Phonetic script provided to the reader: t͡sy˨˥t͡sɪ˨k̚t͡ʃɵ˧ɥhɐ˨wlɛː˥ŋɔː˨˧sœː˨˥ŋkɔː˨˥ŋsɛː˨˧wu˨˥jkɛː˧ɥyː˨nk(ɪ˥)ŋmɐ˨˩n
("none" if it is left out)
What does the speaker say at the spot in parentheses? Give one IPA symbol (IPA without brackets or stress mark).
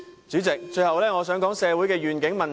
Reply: ɪ˨˥